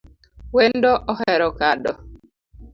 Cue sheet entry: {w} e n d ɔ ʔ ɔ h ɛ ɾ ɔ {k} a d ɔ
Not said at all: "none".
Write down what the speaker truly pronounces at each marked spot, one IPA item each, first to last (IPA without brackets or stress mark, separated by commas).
w, k